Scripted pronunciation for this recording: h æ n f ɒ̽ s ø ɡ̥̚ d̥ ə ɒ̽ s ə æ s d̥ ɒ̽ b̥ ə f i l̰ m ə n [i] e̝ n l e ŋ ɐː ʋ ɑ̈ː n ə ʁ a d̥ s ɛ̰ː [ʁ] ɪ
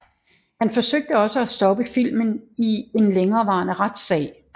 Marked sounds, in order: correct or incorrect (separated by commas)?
correct, incorrect